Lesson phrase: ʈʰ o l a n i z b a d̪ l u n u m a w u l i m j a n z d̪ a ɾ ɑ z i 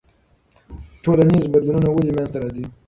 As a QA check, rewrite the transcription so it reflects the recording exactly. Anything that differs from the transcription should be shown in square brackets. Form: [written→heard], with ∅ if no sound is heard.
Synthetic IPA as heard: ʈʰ o l a n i z b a d̪ l u n u [m→n] a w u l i m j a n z [d̪→t̪] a ɾ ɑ z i